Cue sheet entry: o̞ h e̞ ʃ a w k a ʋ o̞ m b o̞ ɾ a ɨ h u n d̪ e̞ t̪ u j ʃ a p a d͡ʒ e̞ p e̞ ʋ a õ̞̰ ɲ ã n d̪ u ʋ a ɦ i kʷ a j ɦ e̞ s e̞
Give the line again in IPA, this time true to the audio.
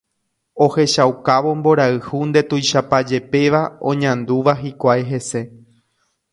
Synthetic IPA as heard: o̞ h e̞ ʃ a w k a ʋ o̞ m b o̞ ɾ a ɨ h u n d̪ e̞ t̪ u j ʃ a p a d͡ʒ e̞ p e̞ ʋ a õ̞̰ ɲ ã n d̪ u ʋ a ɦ i kʷ a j ɦ e̞ s e̞